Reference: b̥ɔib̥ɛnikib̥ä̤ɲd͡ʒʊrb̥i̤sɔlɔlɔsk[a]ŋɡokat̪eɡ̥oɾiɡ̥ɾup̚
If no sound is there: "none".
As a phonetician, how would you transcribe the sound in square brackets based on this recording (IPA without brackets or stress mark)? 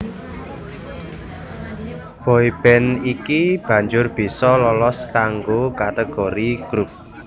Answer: a